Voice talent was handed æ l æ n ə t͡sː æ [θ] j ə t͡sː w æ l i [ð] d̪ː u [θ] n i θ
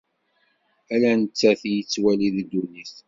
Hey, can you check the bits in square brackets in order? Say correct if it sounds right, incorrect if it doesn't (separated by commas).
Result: correct, correct, incorrect